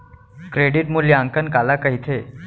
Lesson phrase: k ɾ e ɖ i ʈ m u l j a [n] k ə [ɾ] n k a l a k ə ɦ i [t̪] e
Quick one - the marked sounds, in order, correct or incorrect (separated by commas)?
incorrect, incorrect, incorrect